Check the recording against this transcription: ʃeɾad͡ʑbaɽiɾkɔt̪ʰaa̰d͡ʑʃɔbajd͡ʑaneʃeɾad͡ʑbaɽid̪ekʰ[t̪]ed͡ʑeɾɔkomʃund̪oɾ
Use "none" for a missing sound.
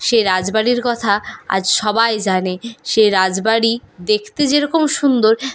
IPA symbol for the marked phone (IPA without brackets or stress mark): t̪